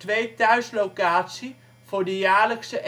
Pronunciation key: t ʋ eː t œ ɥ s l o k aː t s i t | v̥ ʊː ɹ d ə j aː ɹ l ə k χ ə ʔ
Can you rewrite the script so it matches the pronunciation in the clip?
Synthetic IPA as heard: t ʋ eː t œ ɥ s l o k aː t s i | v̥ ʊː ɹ d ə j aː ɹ l ə k s ə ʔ